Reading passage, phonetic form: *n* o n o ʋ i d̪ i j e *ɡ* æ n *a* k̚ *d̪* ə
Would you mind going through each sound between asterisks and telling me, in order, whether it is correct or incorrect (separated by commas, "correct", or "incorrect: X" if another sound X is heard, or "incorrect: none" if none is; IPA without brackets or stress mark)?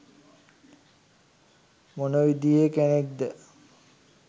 incorrect: m, incorrect: k, incorrect: e, correct